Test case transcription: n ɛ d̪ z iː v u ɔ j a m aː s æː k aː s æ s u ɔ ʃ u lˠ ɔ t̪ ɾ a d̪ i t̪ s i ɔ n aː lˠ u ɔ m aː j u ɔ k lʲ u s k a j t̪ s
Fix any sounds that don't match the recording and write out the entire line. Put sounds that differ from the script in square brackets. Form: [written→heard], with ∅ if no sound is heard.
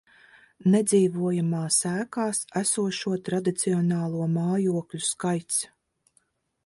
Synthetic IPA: n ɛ d̪ z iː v u ɔ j a m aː s æː k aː s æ s u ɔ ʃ u [lˠ→∅] ɔ t̪ ɾ a d̪ i t̪ s i ɔ n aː lˠ u ɔ m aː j u ɔ k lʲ u s k a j t̪ s

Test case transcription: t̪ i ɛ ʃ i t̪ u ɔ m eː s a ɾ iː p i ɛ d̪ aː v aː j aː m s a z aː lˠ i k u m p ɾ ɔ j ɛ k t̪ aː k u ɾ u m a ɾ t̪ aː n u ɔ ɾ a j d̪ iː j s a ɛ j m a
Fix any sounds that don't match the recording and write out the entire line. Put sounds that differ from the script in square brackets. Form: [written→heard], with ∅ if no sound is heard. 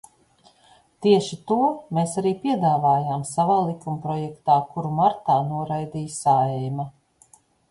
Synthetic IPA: t̪ i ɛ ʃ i t̪ u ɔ m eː s a ɾ iː p i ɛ d̪ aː v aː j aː m s a [z→v] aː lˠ i k u m p ɾ ɔ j ɛ k t̪ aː k u ɾ u m a ɾ t̪ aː n u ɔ ɾ a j d̪ iː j s a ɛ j m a

